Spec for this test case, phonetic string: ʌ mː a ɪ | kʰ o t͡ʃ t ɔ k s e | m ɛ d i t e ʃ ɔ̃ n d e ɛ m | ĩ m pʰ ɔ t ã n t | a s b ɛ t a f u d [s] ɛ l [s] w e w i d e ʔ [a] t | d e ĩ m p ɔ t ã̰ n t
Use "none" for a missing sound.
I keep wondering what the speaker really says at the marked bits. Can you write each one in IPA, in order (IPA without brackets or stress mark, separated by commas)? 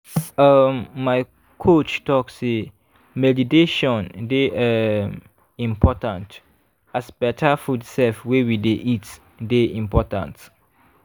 s, f, i